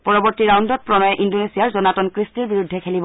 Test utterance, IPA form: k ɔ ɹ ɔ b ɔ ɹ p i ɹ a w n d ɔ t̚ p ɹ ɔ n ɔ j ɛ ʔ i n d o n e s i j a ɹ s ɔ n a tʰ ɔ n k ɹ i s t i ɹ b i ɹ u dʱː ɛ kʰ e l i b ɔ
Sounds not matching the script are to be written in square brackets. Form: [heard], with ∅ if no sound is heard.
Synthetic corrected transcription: [p] ɔ ɹ ɔ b ɔ ɹ [t] i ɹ a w n d ɔ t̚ p ɹ ɔ n ɔ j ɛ ʔ i n d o n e s i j a ɹ [z] ɔ n a [t] ɔ n k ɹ i s t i ɹ b i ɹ u dʱː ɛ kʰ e l i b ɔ